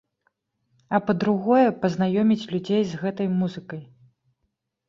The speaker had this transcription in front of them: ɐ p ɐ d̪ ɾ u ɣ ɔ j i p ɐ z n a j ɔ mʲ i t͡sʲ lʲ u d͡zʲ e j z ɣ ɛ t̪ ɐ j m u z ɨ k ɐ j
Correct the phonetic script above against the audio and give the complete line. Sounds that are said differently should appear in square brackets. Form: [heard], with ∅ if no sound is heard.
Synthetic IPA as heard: ɐ p ɐ d̪ ɾ u ɣ ɔ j [ɛ] p ɐ z n a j ɔ mʲ i t͡sʲ lʲ u d͡zʲ e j z ɣ ɛ t̪ ɐ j m u z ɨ k ɐ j